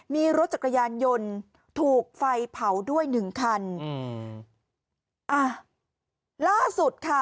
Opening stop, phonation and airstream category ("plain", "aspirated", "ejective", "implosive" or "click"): plain